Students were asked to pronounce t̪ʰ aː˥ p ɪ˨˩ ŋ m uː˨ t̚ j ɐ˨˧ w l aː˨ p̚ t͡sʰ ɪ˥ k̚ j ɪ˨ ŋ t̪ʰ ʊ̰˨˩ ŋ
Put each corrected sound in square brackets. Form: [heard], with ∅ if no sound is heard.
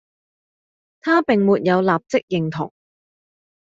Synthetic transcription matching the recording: t̪ʰ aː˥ p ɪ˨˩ ŋ m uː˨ t̚ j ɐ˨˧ w l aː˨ p̚ [t͡s] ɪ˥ k̚ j ɪ˨ ŋ t̪ʰ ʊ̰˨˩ ŋ